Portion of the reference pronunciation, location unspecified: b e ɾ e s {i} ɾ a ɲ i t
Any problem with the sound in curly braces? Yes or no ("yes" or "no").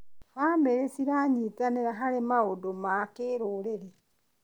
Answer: no